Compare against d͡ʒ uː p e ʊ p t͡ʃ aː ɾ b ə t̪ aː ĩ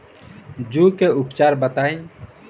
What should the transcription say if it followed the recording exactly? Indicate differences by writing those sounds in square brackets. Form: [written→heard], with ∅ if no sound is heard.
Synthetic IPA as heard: d͡ʒ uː [p→k] e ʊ p t͡ʃ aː ɾ b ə t̪ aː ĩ